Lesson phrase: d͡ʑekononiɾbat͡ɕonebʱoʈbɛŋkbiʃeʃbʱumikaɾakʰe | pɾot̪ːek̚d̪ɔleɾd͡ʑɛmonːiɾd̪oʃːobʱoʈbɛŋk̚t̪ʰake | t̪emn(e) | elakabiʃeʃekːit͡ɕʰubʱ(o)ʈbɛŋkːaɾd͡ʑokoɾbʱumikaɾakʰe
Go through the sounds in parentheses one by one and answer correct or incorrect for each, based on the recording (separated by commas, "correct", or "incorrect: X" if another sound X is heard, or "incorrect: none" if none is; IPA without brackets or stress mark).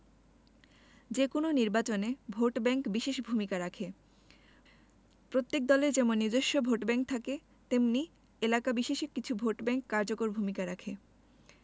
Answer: incorrect: i, correct